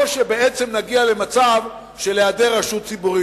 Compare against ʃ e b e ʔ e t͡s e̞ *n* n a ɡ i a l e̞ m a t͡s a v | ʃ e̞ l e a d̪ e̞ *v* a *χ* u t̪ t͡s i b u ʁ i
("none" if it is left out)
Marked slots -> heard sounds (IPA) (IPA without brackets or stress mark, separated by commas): m, ʁ, ʃ